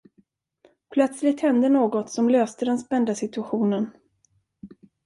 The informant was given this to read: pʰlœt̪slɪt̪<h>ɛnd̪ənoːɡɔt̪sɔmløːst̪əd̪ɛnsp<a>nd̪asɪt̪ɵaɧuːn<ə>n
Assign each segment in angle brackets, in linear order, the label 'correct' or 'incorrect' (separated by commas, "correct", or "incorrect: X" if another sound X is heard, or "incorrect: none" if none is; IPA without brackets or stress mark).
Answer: correct, incorrect: ɛ, correct